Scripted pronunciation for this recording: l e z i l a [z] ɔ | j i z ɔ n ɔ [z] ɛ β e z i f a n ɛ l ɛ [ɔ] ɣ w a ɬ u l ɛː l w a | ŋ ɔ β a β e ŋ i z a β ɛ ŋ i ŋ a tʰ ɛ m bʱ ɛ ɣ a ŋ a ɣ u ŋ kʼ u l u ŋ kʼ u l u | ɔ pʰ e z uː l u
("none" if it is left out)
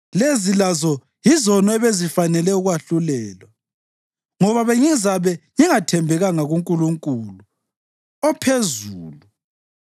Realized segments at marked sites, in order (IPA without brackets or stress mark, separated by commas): z, none, u